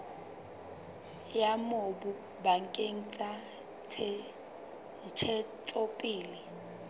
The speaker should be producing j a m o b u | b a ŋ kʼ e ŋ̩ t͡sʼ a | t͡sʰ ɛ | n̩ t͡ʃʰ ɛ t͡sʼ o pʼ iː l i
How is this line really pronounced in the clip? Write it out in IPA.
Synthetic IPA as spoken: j a m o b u | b a ŋ kʼ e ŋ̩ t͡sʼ a | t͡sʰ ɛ | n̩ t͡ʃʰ ɛ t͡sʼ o pʼ iː l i